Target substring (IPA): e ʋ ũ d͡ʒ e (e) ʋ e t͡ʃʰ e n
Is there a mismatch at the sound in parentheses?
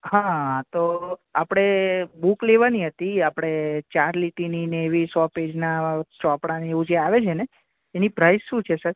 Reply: yes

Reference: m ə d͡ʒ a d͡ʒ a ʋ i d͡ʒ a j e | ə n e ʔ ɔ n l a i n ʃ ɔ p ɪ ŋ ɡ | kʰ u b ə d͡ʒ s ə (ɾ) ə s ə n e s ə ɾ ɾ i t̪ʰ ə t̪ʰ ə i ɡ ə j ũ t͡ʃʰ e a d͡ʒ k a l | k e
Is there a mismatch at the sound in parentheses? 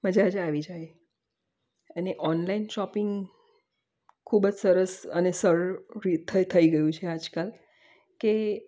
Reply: no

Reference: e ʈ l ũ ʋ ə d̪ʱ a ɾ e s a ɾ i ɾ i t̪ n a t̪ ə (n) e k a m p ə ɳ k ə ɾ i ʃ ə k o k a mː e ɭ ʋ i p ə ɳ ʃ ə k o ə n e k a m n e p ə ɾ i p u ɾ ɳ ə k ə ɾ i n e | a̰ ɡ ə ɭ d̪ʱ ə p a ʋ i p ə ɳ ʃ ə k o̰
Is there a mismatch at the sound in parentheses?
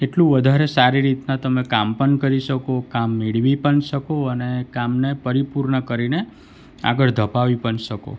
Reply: yes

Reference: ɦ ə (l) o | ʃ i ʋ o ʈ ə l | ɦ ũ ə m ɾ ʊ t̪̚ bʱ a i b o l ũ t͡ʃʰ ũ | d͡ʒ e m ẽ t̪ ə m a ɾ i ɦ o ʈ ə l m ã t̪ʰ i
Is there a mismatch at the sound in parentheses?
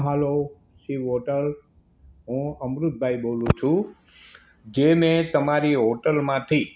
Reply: no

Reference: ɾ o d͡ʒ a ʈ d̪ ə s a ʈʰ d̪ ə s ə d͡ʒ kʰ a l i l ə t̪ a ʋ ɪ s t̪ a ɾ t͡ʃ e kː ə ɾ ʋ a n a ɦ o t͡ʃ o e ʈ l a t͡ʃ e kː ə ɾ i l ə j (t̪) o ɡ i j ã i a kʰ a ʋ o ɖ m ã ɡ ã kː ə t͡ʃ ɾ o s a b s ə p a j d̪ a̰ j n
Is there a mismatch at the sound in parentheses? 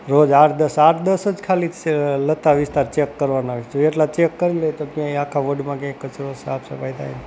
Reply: no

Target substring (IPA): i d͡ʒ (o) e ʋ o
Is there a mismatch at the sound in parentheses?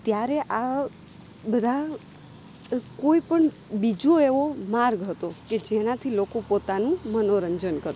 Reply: no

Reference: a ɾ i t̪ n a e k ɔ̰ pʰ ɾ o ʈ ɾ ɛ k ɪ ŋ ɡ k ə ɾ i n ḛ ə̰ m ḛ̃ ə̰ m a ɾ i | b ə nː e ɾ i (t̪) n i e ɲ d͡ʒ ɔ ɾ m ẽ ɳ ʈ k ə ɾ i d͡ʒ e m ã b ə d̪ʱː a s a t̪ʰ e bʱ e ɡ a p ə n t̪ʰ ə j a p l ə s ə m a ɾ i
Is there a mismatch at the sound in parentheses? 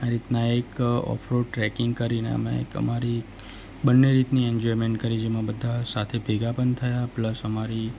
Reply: no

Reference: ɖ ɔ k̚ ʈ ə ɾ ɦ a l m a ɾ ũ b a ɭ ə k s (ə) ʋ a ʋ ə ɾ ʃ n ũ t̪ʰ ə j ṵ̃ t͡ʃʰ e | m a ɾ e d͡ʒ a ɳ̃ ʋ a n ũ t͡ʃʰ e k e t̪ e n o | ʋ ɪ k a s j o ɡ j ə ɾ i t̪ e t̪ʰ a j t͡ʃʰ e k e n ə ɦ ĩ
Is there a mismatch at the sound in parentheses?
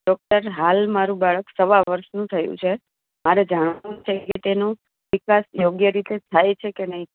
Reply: no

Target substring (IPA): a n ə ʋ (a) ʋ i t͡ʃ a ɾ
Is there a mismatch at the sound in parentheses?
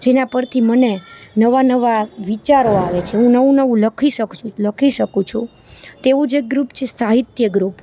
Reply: no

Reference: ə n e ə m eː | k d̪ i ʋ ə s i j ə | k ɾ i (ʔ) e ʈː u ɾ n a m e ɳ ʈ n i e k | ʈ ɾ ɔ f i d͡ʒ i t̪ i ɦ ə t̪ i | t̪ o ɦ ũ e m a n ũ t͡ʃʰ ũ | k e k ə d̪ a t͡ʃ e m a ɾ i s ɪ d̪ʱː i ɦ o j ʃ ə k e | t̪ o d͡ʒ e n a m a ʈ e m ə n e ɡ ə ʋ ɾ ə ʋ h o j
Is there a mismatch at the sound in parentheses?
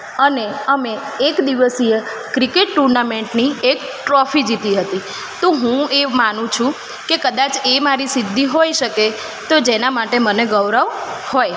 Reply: yes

